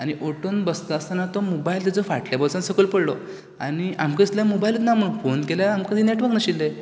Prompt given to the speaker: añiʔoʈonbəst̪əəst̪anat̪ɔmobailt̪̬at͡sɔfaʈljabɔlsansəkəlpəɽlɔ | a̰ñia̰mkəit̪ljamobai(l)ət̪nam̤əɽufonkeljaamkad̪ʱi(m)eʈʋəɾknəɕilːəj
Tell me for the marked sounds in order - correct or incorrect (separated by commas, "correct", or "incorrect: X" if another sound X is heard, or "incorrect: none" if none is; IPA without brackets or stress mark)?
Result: correct, incorrect: n